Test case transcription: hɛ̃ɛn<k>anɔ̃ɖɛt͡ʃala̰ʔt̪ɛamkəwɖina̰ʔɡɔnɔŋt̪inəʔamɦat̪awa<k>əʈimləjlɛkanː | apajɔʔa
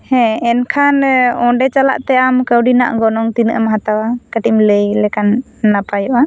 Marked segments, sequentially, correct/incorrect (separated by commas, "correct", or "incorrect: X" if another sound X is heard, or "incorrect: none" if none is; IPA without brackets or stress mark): incorrect: kʰ, correct